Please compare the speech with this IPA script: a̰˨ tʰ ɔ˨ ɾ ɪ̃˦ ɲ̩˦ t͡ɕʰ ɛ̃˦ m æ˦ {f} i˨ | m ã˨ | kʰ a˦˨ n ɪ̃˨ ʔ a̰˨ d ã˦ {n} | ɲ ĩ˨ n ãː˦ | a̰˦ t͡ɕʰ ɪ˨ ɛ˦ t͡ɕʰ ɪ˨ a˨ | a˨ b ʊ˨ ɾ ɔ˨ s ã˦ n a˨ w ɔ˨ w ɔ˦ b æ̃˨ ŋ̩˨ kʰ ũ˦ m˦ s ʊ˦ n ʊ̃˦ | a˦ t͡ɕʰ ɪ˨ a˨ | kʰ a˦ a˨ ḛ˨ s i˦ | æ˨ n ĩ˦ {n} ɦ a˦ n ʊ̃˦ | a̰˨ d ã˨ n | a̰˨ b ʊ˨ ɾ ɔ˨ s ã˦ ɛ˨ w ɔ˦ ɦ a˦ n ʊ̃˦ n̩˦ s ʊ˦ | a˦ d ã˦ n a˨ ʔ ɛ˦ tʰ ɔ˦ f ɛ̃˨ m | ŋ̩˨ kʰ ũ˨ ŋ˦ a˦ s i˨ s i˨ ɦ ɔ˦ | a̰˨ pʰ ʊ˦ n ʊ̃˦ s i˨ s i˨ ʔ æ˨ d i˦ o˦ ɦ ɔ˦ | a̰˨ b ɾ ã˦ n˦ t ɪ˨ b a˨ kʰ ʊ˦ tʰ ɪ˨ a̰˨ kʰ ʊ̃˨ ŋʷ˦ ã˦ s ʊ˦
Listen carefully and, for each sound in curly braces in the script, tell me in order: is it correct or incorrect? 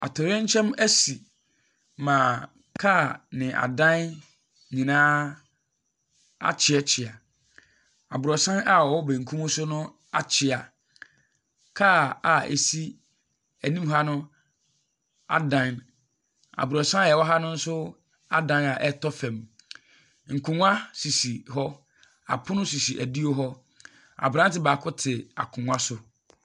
incorrect: s, correct, incorrect: m

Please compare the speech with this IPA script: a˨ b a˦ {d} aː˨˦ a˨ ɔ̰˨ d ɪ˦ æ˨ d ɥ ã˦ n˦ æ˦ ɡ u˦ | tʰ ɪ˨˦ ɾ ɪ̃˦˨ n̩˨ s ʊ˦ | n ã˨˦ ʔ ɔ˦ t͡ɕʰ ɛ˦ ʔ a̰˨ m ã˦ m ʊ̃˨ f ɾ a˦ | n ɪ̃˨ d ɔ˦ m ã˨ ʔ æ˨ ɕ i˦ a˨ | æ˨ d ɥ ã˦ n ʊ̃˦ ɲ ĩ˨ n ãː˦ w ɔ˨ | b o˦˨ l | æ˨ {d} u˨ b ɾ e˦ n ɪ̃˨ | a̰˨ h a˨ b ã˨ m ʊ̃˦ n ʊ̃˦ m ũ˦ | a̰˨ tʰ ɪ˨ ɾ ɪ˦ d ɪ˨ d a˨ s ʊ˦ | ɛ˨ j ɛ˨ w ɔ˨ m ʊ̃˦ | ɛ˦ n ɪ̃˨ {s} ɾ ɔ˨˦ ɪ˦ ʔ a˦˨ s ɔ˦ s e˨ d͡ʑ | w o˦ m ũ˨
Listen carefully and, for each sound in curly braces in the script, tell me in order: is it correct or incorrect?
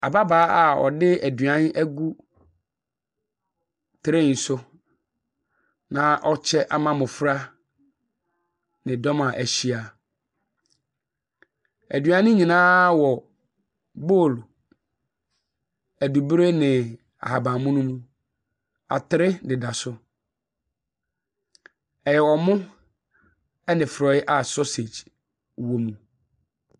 incorrect: b, correct, incorrect: f

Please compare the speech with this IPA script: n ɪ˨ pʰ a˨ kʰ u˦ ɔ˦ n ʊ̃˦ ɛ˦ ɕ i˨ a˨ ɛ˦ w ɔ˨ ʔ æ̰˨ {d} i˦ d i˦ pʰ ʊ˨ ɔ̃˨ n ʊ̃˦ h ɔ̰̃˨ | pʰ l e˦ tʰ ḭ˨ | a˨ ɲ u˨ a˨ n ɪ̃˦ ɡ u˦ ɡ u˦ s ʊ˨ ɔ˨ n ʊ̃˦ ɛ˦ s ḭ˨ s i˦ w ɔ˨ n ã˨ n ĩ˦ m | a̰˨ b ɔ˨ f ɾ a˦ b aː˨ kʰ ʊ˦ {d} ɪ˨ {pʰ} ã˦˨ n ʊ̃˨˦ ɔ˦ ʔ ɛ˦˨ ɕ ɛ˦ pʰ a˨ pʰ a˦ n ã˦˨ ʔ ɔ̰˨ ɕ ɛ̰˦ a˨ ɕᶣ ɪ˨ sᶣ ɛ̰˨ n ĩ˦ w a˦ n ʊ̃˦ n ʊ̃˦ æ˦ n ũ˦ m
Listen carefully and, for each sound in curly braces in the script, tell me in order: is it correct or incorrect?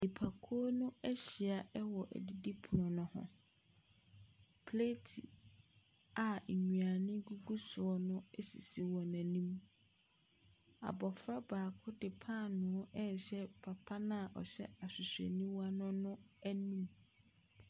correct, correct, correct

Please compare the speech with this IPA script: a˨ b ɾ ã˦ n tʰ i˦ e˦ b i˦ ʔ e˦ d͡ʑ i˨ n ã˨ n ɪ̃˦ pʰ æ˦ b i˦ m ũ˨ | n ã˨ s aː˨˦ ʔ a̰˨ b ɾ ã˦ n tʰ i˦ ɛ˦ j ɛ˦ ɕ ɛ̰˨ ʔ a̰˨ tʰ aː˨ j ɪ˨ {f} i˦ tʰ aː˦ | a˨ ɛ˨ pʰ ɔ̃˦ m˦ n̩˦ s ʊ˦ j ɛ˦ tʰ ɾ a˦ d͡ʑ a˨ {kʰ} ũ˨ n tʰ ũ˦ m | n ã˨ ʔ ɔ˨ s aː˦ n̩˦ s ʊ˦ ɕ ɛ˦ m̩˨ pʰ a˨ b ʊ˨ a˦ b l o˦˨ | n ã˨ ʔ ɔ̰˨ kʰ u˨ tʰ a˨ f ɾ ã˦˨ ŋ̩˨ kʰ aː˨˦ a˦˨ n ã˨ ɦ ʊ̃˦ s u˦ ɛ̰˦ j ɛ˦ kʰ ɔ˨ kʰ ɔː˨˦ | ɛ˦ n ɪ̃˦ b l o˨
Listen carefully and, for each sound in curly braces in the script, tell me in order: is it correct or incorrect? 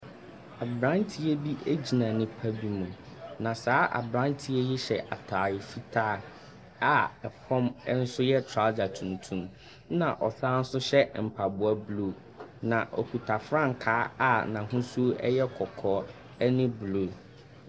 correct, incorrect: tʰ

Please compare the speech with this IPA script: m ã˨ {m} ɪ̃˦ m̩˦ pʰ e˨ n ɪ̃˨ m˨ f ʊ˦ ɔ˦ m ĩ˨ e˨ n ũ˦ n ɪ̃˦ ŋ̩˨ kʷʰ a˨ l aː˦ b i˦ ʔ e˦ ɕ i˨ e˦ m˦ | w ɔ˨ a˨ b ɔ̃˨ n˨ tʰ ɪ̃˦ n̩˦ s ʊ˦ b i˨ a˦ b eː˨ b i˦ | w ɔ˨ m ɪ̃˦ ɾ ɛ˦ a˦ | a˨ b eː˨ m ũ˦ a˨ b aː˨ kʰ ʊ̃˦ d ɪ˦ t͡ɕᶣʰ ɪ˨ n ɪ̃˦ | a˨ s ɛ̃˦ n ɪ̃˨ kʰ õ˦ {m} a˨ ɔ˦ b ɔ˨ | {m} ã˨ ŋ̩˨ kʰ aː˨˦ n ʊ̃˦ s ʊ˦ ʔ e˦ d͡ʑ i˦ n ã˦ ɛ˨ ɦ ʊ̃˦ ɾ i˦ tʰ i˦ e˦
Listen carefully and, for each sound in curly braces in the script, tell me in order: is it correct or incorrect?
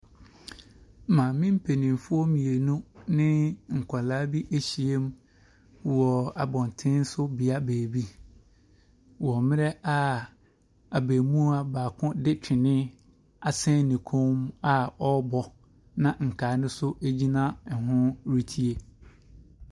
correct, correct, incorrect: n

